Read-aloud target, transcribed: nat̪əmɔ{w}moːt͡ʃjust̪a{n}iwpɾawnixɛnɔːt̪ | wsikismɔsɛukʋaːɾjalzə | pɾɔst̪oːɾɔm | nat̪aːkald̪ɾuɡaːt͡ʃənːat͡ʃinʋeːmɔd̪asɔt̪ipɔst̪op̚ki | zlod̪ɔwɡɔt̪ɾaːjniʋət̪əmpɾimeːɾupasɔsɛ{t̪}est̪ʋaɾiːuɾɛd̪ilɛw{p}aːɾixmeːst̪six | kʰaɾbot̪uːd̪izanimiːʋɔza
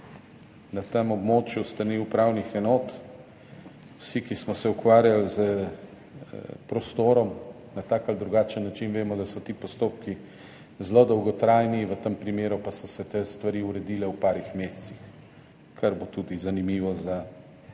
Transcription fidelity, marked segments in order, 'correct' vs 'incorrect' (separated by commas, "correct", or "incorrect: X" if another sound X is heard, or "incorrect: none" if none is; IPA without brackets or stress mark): incorrect: b, correct, correct, correct